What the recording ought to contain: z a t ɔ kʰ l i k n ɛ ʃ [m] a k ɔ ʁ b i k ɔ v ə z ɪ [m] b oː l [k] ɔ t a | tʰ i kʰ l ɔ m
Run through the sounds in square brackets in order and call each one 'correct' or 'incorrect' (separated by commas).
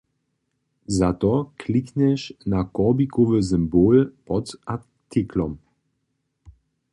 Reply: incorrect, correct, incorrect